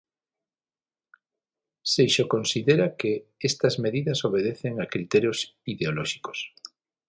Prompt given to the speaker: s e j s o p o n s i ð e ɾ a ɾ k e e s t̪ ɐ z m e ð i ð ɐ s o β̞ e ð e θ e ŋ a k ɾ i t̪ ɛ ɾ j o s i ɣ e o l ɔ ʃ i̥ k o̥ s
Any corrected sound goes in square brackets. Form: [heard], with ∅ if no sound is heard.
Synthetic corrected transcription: s e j [ʃ] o [k] o n s i ð e ɾ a [∅] k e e s t̪ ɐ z m e ð i ð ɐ s o β̞ e ð e θ e ŋ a k ɾ i t̪ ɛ ɾ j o s i [ð] e o l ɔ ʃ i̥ k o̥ s